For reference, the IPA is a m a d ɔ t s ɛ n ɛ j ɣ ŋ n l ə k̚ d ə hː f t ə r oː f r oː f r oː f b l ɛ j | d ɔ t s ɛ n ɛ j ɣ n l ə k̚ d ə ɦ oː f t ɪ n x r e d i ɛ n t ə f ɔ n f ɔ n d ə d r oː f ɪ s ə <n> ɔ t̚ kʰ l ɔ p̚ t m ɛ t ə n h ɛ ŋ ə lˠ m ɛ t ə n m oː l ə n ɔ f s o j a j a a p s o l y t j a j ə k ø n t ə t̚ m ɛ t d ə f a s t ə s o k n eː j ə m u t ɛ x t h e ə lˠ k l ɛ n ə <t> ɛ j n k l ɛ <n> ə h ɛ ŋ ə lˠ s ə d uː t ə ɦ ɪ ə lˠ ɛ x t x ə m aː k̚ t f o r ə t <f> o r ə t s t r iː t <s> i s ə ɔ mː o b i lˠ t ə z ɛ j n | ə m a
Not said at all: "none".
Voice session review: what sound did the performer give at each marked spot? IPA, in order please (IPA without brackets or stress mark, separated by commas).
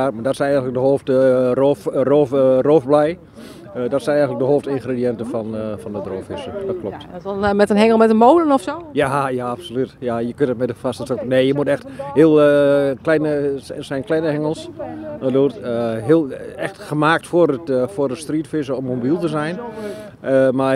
d, s, n, f, f